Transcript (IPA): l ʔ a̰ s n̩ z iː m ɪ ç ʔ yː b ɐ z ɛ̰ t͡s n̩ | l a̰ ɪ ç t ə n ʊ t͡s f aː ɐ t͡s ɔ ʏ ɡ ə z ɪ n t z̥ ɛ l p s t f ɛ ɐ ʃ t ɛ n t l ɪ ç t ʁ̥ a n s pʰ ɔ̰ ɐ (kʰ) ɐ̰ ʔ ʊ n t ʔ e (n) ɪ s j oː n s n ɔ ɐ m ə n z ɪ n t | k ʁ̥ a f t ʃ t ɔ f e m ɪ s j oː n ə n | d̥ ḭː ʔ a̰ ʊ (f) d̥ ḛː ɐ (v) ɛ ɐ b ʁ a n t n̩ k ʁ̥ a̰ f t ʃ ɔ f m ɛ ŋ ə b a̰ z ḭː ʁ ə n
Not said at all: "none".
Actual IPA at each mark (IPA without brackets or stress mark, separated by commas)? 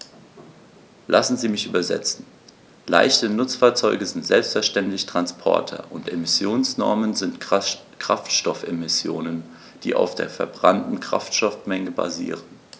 tʰ, m, f, f